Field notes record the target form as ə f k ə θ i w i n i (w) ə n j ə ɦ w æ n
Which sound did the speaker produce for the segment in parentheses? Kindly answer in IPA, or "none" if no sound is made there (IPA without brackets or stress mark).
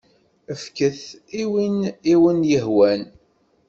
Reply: w